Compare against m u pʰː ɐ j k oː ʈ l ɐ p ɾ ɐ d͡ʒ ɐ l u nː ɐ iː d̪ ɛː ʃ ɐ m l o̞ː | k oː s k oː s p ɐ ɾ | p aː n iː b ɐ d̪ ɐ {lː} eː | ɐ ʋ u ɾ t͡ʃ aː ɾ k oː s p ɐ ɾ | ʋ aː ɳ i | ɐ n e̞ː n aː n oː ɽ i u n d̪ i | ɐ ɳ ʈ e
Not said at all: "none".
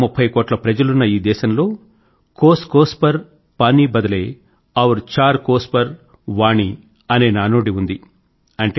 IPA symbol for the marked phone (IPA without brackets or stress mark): l